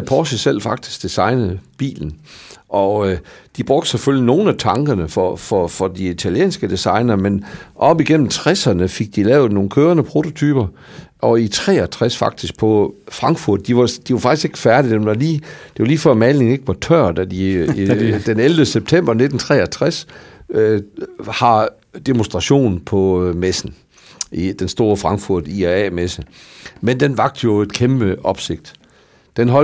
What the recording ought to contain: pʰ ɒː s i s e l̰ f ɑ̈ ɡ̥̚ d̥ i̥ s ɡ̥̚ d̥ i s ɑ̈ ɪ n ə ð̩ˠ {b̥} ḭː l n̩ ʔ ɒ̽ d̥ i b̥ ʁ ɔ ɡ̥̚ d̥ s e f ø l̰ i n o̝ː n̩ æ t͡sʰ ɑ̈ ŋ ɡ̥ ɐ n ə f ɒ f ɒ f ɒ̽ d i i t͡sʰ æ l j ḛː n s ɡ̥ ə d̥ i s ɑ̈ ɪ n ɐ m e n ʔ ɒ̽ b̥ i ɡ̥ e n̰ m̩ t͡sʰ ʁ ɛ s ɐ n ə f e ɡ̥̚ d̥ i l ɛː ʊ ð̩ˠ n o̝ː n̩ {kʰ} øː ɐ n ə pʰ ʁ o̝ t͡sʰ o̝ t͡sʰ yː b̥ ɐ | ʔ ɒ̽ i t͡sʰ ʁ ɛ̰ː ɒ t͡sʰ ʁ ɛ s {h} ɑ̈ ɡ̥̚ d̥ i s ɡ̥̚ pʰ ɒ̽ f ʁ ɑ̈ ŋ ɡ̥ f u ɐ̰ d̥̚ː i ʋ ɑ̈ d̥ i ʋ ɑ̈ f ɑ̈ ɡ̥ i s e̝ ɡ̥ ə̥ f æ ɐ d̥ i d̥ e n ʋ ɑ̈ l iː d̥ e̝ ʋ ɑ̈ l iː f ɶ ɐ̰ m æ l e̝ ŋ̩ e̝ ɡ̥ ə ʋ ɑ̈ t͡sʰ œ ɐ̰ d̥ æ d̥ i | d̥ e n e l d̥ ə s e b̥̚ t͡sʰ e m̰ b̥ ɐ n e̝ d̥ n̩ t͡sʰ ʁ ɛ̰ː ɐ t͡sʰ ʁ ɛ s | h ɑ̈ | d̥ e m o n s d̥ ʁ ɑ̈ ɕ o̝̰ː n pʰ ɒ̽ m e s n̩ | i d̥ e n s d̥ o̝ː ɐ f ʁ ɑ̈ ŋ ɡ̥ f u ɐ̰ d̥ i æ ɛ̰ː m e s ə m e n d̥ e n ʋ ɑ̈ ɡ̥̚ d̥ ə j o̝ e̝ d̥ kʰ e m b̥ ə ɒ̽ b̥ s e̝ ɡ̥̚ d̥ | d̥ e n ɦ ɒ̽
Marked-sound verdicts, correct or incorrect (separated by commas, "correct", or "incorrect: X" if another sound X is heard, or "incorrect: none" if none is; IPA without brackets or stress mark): correct, correct, incorrect: f